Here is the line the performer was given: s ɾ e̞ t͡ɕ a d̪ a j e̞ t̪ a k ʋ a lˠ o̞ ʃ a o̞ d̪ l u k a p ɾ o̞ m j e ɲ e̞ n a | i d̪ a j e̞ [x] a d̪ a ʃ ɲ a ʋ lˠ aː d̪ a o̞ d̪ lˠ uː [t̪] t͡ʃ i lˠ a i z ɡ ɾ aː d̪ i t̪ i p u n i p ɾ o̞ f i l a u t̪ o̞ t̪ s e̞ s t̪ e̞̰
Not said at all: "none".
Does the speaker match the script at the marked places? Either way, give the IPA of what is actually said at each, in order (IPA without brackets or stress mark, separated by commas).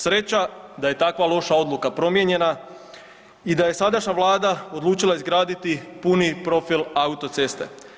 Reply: s, none